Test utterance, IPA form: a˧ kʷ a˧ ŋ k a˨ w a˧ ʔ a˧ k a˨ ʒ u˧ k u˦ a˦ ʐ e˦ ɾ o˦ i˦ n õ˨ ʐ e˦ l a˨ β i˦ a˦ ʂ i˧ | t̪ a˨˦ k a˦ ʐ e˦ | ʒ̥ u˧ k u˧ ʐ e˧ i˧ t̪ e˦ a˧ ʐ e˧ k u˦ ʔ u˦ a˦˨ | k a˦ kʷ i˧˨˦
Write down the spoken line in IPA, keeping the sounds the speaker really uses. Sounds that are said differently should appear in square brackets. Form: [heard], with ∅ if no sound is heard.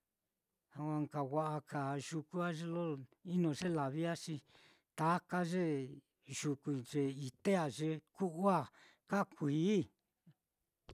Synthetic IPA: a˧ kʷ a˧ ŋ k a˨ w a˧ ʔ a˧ k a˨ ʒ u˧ k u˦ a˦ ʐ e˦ [l] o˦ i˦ n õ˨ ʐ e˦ l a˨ β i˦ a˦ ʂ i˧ | t̪ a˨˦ k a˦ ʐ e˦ | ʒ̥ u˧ k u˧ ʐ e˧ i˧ t̪ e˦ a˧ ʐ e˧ k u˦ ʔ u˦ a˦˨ | k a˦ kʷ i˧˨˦